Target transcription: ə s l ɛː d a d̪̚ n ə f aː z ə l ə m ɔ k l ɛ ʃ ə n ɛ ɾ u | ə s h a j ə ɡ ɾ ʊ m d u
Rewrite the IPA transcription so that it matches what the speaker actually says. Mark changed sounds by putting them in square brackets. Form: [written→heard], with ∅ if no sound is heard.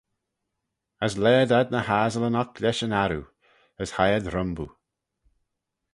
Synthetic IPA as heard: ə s l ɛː d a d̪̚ n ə [f→h] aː z ə l ə [m→n] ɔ k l ɛ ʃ ə n [ɛ→a] ɾ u | ə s h a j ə [ɡ→d] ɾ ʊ m [d→b] u